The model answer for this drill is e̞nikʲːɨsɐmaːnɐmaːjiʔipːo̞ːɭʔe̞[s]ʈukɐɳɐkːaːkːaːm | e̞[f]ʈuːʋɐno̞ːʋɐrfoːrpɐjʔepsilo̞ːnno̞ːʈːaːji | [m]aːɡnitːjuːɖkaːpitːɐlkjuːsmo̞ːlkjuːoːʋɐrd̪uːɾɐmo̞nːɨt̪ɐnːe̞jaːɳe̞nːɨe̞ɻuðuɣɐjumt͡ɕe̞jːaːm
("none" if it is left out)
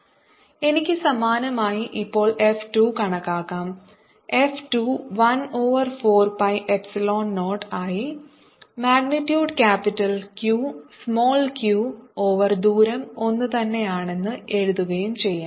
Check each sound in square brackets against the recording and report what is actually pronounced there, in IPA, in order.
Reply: f, f, m

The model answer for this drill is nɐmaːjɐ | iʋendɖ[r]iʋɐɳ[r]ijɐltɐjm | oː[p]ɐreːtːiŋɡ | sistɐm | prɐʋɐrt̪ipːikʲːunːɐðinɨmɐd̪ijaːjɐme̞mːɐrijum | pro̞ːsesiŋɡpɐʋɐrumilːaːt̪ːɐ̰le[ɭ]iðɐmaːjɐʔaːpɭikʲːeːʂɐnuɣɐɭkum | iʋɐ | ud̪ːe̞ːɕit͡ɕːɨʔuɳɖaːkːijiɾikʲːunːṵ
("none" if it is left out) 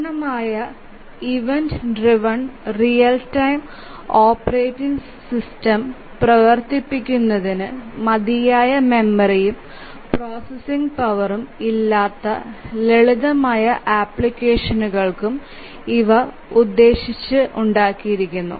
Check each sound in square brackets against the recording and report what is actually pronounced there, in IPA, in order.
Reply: r, r, p, ɭ

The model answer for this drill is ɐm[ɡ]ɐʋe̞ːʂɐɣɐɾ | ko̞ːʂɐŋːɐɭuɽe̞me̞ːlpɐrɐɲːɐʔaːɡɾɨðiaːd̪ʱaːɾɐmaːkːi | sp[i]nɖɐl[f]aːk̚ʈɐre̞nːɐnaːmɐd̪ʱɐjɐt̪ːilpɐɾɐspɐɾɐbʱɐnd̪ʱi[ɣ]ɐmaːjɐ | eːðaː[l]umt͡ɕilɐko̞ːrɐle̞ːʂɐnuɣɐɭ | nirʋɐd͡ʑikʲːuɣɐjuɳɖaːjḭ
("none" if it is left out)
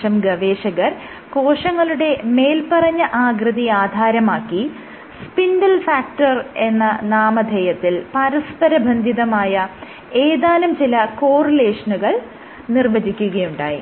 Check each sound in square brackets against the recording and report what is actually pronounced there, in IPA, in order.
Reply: ɡ, i, f, ð, l

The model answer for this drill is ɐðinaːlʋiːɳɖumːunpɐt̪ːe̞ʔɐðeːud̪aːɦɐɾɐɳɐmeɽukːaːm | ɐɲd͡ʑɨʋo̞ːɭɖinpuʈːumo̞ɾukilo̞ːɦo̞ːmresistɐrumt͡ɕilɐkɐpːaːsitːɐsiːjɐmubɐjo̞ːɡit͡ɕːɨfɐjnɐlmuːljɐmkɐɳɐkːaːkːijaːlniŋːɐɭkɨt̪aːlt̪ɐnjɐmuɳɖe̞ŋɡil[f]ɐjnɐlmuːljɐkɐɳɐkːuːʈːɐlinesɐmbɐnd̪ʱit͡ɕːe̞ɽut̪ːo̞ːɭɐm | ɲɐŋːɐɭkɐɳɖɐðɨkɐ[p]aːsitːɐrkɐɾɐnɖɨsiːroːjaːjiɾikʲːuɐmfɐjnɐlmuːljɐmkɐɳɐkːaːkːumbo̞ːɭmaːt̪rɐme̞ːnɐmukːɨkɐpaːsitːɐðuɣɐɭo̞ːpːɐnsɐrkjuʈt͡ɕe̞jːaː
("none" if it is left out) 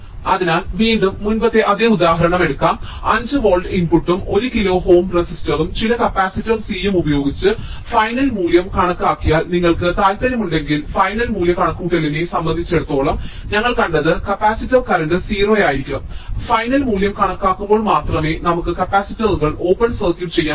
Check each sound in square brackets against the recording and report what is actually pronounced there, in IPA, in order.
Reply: f, p

